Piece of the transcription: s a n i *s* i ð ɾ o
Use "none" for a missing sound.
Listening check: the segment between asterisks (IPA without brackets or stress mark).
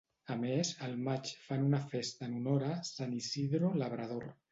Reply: s